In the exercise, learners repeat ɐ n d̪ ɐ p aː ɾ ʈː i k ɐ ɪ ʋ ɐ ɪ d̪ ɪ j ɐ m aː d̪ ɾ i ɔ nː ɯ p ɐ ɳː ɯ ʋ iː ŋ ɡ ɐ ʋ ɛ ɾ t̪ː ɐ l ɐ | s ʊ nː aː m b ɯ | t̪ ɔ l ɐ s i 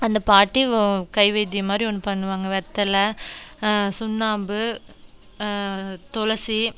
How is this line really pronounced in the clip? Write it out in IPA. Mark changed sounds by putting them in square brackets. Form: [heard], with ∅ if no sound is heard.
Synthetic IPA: ɐ n d̪ ɐ p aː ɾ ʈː i k ɐ ɪ ʋ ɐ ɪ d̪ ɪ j ɐ m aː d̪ ɾ i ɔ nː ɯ p ɐ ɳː ɯ ʋ [aː] ŋ ɡ ɐ ʋ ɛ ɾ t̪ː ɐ l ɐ | s ʊ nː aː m b ɯ | t̪ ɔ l ɐ s i